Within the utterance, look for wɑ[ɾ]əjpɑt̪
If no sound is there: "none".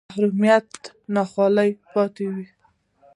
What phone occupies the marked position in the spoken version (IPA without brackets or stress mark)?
l